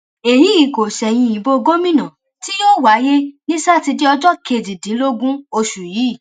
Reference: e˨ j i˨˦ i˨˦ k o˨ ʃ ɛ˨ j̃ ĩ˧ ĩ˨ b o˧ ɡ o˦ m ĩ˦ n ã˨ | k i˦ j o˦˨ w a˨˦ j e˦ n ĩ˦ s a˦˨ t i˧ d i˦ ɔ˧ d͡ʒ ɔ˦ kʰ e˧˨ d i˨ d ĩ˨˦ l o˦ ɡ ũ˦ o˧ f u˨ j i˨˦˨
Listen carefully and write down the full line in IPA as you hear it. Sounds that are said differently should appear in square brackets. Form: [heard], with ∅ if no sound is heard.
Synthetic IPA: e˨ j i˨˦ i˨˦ k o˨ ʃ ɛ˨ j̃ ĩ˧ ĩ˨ b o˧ ɡ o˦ m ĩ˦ n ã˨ | [t] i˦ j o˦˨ w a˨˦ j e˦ n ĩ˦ s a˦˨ t i˧ d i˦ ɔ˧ d͡ʒ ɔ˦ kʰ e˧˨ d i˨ d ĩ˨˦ l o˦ ɡ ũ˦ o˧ [ʃ] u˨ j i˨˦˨